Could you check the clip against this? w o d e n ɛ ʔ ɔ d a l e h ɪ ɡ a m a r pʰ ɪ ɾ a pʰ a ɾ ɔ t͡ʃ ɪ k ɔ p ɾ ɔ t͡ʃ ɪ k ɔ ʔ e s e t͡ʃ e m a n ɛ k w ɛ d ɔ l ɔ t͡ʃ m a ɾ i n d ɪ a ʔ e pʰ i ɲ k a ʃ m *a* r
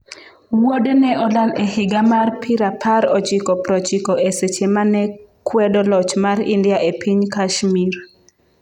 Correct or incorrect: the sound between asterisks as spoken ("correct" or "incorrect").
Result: incorrect